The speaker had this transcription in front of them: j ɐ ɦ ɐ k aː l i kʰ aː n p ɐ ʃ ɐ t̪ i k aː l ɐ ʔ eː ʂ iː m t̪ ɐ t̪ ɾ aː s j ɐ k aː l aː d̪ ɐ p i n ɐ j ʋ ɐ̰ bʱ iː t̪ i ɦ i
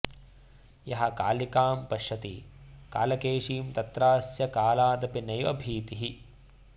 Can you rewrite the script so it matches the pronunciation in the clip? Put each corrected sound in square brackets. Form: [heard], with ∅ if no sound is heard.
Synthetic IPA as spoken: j ɐ ɦ ɐ k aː l i [k] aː [m] p ɐ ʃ ɐ t̪ i k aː l ɐ [k] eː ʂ iː m t̪ ɐ t̪ ɾ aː s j ɐ k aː l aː d̪ ɐ p i n ɐ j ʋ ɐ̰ bʱ iː t̪ i ɦ i